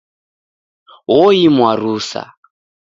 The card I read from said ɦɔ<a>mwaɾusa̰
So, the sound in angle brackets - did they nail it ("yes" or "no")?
no